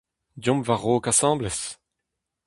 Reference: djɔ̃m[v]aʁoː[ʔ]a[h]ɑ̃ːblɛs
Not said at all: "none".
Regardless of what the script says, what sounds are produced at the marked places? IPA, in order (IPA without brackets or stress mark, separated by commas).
v, k, s